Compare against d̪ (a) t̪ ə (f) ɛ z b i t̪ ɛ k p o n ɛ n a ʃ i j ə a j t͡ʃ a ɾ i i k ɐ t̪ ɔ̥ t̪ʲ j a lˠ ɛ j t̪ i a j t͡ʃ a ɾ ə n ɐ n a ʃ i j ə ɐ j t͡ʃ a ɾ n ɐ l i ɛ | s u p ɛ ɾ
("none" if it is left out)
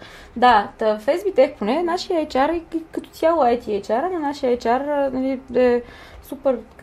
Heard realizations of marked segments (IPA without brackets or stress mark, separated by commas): a, f